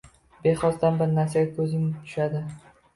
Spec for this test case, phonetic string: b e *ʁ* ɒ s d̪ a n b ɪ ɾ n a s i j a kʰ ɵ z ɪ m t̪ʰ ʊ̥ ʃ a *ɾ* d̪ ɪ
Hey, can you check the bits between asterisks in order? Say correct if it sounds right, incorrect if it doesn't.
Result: incorrect: χ, incorrect: none

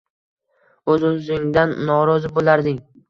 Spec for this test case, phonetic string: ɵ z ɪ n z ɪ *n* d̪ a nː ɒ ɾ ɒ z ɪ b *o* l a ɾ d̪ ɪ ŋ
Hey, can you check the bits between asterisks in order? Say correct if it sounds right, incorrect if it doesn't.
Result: incorrect: ŋ, correct

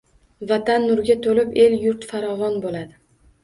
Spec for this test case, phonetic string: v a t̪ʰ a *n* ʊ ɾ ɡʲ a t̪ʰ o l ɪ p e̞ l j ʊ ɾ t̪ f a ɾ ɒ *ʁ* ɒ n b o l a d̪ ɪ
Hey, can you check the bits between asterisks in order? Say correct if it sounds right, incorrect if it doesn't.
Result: incorrect: nː, incorrect: v

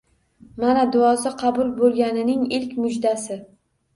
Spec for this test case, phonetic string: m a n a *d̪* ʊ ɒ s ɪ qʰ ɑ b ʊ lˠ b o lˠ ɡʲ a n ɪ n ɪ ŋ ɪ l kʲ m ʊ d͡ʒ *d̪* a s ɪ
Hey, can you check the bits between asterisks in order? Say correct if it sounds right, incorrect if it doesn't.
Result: correct, correct

